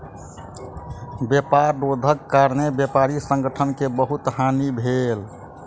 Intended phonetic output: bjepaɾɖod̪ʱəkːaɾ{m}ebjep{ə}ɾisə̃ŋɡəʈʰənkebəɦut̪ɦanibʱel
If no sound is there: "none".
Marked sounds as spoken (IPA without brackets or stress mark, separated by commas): n, a